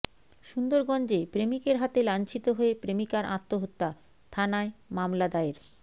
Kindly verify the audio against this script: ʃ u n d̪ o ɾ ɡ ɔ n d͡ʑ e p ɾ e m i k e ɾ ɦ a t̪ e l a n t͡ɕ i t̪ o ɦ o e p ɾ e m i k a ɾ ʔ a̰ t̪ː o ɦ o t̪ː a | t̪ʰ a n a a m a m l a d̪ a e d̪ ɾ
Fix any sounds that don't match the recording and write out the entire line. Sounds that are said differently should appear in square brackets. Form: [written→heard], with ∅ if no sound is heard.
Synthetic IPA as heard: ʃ u n d̪ o ɾ ɡ ɔ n d͡ʑ e p ɾ e m i k e ɾ ɦ a t̪ e l a n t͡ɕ i t̪ o ɦ o e p ɾ e m i k a ɾ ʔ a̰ t̪ː o ɦ o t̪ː a | t̪ʰ a n a [a→e] m a m l a d̪ a e [d̪→∅] ɾ

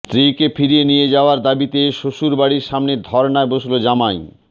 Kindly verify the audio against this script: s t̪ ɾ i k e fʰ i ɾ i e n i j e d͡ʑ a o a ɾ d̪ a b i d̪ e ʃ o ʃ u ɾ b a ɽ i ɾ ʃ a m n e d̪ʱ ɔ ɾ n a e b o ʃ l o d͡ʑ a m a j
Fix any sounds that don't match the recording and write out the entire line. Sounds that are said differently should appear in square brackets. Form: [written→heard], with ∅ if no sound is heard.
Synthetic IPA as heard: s t̪ ɾ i k e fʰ i ɾ i e n i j e d͡ʑ a o a ɾ d̪ a b i [d̪→t̪] e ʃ o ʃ u ɾ b a ɽ i ɾ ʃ a m n e d̪ʱ ɔ ɾ n a e b o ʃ l o d͡ʑ a m a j

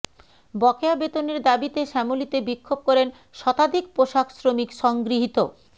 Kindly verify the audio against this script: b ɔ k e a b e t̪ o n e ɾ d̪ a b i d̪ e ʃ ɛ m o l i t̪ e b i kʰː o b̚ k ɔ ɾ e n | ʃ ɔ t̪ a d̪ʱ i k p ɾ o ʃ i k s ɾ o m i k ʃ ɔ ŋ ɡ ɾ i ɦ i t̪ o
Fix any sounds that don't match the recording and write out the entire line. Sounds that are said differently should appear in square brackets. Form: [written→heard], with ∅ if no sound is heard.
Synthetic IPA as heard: b ɔ k e a b e t̪ o n e ɾ d̪ a b i [d̪→t̪] e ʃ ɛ m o l i t̪ e b i kʰː o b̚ k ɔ ɾ e n | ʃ ɔ t̪ a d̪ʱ i k p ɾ o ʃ [i→a] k s ɾ o m i k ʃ ɔ ŋ ɡ ɾ i ɦ i t̪ o

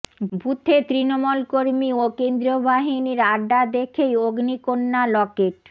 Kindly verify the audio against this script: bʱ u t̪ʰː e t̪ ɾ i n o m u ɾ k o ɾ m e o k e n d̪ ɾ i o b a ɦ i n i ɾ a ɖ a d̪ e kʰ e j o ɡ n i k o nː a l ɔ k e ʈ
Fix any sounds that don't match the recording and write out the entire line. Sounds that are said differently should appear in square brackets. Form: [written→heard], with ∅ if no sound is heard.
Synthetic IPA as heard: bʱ u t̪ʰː e t̪ ɾ i n o m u [ɾ→l] k o ɾ m [e→i] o k e n d̪ ɾ i o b a ɦ i n i ɾ a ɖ a d̪ e kʰ e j o ɡ n i k o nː a l ɔ k e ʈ

